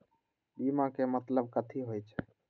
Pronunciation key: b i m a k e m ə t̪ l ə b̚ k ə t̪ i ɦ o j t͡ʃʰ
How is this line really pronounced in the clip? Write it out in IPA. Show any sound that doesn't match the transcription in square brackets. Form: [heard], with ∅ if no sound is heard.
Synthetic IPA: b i m a k e m ə t̪ l ə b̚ k ə [t̪ʰ] i ɦ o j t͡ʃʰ

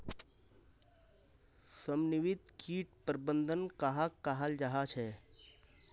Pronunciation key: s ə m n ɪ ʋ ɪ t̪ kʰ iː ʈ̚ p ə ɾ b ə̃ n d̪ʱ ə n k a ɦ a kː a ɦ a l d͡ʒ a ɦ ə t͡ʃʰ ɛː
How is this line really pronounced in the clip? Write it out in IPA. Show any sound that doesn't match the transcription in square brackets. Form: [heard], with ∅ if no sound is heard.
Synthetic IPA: s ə m n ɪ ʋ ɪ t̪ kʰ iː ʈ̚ p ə ɾ b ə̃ n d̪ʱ ə n k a ɦ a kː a ɦ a l d͡ʒ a ɦ [a] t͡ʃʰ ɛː

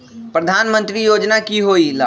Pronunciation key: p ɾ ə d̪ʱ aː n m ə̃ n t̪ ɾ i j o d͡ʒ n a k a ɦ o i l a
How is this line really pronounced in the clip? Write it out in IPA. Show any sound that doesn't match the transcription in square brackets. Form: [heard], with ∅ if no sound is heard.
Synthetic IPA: p ɾ ə d̪ʱ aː n m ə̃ n t̪ ɾ i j o d͡ʒ n a k [i] ɦ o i l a

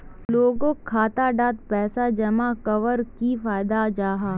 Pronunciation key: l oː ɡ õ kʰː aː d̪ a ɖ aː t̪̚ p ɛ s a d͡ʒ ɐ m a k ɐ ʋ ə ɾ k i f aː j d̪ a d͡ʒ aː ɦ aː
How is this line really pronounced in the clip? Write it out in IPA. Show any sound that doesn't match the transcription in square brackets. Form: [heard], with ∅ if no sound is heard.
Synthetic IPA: l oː ɡ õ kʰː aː [t̪] a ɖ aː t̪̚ p [ɛː] s a d͡ʒ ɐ m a k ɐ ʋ ə ɾ k i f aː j d̪ a d͡ʒ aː ɦ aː

